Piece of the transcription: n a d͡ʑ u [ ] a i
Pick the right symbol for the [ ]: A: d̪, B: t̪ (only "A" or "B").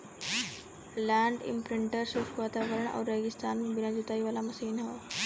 B